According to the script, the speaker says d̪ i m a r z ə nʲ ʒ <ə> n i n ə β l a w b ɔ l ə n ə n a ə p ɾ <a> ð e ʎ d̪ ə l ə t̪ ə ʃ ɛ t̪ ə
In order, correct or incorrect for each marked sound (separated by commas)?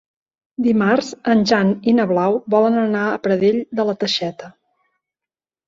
incorrect, incorrect